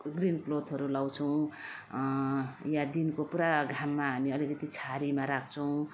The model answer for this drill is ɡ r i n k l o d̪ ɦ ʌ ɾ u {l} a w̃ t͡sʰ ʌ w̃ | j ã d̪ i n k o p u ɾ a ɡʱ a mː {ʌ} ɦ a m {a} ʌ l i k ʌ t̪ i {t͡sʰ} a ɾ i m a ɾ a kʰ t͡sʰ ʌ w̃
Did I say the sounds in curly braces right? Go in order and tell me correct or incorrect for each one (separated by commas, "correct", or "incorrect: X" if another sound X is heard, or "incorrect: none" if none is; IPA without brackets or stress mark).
correct, incorrect: a, incorrect: i, correct